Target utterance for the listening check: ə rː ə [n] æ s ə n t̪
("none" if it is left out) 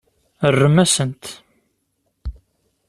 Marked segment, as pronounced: m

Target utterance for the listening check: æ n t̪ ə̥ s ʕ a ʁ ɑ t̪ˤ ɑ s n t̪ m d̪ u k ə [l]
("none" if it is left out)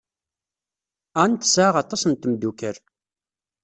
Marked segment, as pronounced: ɾ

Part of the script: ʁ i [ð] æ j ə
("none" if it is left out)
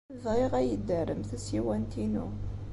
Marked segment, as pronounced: ʁ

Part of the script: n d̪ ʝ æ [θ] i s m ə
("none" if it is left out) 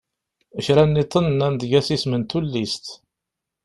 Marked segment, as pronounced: s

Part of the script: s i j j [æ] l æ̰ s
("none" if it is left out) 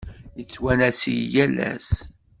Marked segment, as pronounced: æ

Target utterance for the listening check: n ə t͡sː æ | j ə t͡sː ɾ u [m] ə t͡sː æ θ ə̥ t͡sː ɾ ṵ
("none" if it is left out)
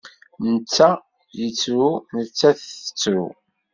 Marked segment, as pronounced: n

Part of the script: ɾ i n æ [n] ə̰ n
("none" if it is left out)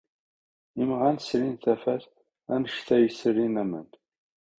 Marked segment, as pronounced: m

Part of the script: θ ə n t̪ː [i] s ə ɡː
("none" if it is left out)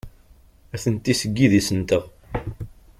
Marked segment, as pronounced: i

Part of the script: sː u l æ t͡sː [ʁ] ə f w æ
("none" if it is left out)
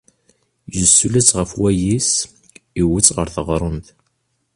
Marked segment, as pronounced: ʁ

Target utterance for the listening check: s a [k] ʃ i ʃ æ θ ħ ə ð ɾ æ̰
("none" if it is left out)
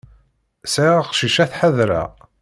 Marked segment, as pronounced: q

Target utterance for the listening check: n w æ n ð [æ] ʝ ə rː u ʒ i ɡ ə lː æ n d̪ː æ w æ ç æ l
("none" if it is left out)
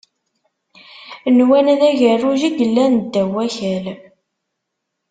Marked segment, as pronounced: æ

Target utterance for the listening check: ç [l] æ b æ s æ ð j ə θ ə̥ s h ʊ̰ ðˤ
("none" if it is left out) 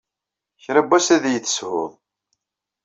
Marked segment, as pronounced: ɾ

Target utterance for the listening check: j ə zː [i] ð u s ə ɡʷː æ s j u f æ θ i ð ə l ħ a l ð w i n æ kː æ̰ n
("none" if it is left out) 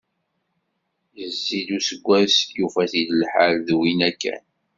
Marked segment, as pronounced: i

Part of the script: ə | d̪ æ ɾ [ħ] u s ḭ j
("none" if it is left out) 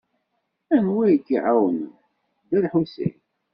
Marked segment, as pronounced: ħ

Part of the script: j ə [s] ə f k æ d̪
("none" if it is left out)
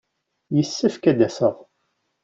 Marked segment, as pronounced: sː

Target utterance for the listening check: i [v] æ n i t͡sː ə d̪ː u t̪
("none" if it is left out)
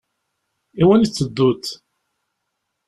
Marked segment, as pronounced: w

